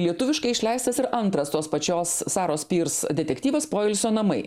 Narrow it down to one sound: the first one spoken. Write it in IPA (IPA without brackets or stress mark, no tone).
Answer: lʲ